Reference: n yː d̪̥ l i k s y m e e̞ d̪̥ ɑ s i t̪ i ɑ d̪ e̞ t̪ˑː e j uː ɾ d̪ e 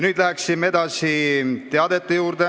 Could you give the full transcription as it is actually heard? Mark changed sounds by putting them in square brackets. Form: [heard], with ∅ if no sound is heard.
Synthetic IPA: n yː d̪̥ l [æ] k s [i] m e e̞ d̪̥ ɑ s i t̪ [e] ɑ d̪ e̞ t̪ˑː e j uː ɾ d̪ e

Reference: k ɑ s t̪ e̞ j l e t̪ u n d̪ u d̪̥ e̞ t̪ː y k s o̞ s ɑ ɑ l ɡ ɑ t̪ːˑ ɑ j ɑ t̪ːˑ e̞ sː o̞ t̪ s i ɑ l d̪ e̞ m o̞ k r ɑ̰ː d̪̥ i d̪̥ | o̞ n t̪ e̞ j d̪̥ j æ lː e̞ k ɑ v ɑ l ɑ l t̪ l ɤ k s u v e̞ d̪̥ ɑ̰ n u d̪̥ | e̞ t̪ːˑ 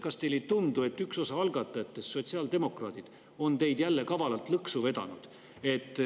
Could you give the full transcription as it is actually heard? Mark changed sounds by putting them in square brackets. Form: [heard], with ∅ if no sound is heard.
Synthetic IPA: k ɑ s t̪ e̞ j l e t̪ u n d̪ u [∅] e̞ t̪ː y k s o̞ s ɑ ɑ l ɡ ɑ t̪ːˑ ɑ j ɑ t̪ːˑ e̞ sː o̞ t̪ s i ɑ l d̪ e̞ m o̞ k r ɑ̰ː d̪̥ i d̪̥ | o̞ n t̪ e̞ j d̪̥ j æ lː e̞ k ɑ v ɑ l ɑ l t̪ l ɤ k s u v e̞ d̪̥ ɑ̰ n u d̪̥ | e̞ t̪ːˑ

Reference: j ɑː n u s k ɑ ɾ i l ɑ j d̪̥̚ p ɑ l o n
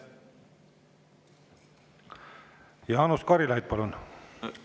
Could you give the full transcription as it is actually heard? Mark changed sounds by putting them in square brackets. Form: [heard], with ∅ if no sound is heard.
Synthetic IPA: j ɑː n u s k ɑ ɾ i l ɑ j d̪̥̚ p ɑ l [u] n

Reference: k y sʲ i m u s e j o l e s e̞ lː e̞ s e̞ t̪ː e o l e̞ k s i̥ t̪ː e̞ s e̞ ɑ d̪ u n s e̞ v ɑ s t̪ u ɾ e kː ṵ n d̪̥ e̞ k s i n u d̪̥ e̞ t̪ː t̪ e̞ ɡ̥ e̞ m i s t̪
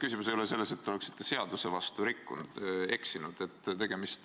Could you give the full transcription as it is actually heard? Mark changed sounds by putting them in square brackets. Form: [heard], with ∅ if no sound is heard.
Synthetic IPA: k y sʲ i m u s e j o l e s e̞ lː e̞ s e̞ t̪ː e o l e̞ k s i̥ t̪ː e̞ s e̞ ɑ d̪ u [∅] s e̞ v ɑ s t̪ u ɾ [i] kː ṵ n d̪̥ e̞ k s i n u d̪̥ e̞ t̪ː t̪ e̞ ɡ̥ e̞ m i s t̪

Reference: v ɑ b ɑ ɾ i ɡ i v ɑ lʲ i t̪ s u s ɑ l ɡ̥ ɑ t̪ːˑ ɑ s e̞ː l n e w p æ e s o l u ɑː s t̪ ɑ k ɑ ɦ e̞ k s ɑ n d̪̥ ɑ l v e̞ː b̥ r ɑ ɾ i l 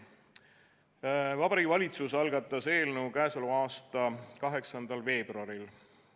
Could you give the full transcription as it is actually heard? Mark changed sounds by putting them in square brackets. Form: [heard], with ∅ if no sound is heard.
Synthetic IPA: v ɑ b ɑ ɾ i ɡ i v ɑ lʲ i t̪ s u s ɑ l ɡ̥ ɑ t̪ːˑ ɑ s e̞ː l n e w [k] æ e s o l u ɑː s t̪ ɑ k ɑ ɦ e̞ k s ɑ n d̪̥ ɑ l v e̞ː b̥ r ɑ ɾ i l

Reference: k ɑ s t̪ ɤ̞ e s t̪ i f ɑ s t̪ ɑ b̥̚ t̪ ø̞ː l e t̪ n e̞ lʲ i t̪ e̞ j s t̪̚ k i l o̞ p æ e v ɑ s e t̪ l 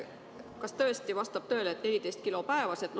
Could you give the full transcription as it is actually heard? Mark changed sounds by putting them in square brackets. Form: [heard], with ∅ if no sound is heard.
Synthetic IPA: k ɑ s t̪ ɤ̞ e s t̪ i [v] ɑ s t̪ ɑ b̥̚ t̪ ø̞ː l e t̪ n e̞ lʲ i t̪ e̞ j s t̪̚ k i l o̞ p æ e v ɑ s e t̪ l

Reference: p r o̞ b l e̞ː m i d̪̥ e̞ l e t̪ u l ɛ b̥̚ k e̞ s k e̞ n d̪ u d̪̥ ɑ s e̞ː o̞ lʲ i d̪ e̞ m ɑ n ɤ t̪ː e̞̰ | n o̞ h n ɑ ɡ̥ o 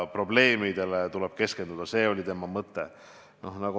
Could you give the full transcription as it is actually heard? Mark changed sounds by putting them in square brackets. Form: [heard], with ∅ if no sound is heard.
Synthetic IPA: p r o̞ b l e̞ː m i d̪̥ e̞ l e t̪ u l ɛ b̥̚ k e̞ s k e̞ n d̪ u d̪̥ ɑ s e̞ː o̞ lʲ i [t̪] e̞ m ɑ [m] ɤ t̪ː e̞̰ | n o̞ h n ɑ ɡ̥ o

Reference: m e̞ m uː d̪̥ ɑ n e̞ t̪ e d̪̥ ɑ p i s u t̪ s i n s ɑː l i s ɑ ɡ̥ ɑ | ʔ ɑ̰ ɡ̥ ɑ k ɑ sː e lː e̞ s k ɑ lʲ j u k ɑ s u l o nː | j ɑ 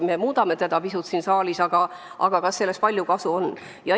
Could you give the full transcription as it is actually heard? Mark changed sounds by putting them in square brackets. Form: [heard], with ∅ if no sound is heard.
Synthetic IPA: m e̞ m uː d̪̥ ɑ [m] e̞ t̪ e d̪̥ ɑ p i s u t̪ s i n s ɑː l i s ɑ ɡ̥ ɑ | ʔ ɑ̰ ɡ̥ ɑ k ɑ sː e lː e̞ s [p] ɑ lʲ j u k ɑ s u [∅] o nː | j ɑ

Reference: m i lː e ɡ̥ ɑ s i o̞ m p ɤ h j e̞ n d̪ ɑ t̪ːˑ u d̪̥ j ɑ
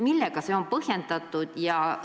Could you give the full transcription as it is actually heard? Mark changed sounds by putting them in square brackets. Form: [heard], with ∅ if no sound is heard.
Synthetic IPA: m i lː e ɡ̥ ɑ s [e] o̞ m p ɤ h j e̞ n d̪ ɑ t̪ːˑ u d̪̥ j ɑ

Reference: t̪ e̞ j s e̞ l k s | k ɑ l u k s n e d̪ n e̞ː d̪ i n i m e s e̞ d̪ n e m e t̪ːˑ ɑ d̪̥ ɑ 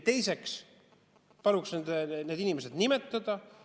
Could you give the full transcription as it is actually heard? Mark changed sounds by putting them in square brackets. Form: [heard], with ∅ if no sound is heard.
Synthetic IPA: t̪ e̞ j s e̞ [∅] k s | [p] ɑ l u k s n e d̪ n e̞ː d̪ i n i m e s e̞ d̪ n [i] m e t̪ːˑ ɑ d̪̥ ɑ

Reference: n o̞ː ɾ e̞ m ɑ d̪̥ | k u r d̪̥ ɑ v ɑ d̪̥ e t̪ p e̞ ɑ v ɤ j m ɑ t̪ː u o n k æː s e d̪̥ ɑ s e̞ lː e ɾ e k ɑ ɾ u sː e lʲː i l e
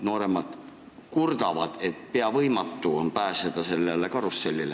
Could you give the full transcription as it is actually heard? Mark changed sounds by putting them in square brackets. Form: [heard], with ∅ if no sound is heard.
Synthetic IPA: n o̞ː ɾ e̞ m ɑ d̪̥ | k u r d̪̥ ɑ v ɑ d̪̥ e t̪ p e̞ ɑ v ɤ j m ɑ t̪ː u o n [p] æː s e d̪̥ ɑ s e̞ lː e [l] e k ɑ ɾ u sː e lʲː i l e

